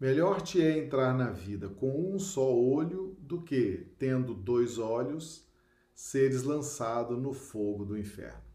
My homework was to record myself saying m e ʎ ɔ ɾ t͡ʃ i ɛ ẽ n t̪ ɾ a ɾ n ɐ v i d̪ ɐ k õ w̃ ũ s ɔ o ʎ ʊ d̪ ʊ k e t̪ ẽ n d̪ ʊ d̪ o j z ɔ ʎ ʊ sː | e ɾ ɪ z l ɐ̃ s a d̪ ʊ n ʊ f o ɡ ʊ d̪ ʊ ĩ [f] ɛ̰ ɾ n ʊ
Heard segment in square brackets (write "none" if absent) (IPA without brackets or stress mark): f